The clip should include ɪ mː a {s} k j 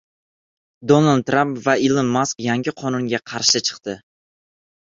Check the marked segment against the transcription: correct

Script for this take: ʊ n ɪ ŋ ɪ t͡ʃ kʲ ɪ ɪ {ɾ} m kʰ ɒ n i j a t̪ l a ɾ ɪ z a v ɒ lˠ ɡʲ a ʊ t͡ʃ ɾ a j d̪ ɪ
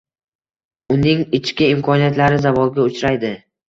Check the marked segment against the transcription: incorrect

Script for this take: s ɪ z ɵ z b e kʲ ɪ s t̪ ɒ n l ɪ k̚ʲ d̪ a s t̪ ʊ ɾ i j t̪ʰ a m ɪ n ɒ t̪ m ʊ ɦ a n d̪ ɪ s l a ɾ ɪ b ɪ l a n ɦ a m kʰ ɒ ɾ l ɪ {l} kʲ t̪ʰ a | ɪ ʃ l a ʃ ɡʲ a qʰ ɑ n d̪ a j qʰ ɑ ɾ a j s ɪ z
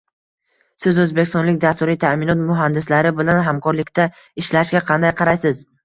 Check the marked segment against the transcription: incorrect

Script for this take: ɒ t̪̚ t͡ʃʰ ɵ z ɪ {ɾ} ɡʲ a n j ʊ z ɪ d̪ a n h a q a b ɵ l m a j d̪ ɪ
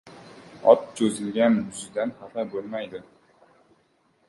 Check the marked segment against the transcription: incorrect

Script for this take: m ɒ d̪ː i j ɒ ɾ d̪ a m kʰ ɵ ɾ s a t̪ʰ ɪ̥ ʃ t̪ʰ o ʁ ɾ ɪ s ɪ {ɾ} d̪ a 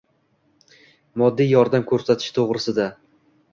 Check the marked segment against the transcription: incorrect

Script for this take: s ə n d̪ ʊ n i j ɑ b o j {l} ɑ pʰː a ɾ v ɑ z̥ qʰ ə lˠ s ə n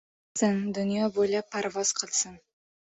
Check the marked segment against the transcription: correct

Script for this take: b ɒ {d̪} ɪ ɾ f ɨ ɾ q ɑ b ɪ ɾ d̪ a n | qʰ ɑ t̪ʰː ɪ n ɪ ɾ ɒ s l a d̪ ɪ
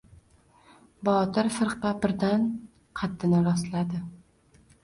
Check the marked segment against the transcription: incorrect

